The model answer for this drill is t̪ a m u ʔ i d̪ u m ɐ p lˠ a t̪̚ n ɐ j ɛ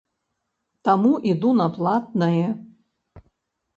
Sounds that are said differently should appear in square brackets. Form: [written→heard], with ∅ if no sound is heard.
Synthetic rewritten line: t̪ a m u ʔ i d̪ u [m→n] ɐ p lˠ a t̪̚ n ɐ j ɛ